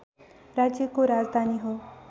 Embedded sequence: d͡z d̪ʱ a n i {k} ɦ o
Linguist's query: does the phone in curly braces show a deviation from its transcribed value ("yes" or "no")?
yes